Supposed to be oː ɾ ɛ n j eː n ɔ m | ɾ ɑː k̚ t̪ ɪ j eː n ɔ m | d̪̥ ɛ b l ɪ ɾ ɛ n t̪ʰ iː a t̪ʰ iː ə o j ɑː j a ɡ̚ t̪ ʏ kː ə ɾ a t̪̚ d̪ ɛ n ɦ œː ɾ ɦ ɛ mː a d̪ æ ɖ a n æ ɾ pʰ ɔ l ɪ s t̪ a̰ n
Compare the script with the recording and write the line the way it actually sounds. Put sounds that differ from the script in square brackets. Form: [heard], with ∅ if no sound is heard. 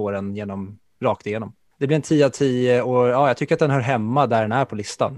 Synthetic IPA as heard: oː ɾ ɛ n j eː n ɔ m | ɾ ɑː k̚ t̪ ɪ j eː n ɔ m | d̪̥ ɛ b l ɪ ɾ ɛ n t̪ʰ iː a t̪ʰ iː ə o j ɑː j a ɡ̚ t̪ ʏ kː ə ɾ a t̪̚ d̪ ɛ n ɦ œː ɾ ɦ ɛ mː a d̪ æ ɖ [ɛ] n æ ɾ pʰ ɔ l ɪ s t̪ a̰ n